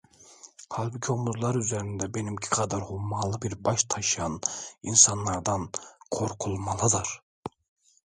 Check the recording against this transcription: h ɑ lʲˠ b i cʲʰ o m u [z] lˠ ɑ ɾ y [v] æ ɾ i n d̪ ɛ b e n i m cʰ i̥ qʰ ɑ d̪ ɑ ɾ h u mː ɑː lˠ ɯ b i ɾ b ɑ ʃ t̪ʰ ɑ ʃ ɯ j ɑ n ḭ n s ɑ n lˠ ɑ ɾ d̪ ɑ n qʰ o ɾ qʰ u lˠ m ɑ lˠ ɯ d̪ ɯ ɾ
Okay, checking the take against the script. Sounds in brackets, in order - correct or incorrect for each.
correct, incorrect

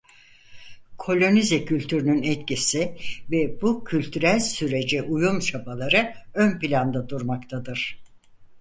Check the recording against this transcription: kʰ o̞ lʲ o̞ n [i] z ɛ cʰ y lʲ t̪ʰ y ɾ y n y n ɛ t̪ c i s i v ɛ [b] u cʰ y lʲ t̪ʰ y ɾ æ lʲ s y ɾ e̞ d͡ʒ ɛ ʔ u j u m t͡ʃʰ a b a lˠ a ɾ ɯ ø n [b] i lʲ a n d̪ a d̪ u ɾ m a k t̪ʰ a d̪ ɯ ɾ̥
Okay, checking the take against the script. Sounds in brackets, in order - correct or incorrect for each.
correct, correct, incorrect

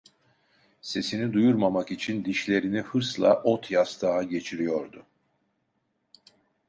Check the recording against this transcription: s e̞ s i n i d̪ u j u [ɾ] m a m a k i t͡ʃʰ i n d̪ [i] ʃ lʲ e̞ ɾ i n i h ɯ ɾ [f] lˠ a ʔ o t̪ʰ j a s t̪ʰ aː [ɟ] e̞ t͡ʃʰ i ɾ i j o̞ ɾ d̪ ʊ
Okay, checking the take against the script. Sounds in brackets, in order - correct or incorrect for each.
correct, correct, incorrect, correct

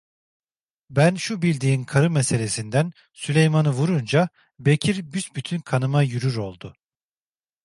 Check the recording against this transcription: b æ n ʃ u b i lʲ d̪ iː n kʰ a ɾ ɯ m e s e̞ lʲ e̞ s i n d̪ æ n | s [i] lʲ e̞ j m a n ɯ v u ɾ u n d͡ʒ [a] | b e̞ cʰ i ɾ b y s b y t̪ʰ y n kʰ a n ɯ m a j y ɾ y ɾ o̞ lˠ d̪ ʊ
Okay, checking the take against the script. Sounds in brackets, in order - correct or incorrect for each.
incorrect, correct

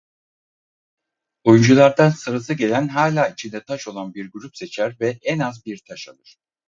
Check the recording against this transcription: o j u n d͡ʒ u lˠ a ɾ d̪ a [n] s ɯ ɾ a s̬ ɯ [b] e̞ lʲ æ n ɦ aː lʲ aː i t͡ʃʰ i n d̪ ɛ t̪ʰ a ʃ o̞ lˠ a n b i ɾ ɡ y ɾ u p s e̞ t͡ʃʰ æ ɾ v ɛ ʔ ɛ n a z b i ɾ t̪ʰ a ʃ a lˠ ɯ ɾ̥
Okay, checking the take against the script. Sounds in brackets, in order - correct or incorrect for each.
correct, incorrect

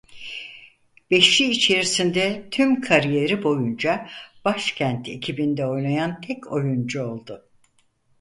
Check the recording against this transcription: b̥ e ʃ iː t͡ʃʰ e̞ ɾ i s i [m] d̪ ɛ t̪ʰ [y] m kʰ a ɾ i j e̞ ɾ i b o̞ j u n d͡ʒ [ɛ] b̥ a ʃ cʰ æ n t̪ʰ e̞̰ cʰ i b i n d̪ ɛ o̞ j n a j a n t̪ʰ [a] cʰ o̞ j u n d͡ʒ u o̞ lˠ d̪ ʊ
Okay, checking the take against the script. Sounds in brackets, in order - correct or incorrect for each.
incorrect, correct, incorrect, incorrect

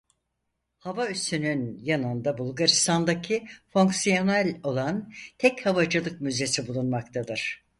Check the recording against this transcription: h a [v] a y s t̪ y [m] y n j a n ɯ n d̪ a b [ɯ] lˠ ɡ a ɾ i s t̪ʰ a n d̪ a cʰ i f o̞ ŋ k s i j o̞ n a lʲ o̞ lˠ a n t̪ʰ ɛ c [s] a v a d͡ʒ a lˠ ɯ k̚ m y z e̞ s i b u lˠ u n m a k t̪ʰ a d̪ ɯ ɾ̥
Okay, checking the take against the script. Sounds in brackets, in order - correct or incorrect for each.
correct, incorrect, incorrect, incorrect

